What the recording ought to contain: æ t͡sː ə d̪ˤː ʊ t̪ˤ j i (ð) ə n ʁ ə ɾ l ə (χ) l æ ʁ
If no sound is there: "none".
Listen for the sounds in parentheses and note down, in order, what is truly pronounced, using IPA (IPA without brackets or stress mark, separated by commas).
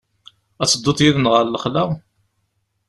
ð, χ